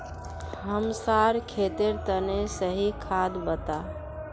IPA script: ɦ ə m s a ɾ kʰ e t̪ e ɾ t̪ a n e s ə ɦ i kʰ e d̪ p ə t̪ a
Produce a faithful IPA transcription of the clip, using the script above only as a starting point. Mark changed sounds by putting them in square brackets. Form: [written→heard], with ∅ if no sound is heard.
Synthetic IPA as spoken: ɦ ə m s a ɾ kʰ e t̪ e ɾ t̪ [a→ə] n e s ə ɦ i kʰ [e→a] d̪ [p→b] ə t̪ a